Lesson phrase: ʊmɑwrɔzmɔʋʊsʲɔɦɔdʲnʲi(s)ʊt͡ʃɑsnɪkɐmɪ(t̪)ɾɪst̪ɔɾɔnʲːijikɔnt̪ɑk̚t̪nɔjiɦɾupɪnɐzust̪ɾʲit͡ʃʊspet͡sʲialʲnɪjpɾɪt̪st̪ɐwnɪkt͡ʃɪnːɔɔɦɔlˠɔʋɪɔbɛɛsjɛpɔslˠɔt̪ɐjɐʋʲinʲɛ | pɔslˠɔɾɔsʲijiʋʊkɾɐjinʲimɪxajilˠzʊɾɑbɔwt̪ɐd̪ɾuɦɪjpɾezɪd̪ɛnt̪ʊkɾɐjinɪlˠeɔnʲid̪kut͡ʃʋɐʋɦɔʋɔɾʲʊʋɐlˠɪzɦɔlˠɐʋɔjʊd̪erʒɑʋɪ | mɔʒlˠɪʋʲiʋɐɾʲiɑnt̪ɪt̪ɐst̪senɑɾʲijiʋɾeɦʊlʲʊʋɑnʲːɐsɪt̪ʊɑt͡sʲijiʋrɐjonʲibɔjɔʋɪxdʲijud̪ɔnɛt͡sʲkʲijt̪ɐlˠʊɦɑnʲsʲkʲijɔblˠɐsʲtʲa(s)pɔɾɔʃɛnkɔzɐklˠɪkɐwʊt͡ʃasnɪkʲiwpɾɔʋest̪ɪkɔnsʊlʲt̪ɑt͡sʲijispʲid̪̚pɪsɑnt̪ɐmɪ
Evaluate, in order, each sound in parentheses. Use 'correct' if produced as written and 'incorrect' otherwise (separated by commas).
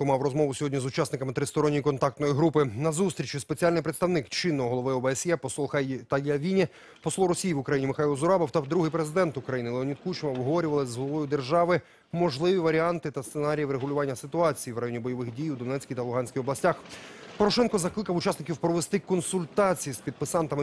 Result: incorrect, correct, incorrect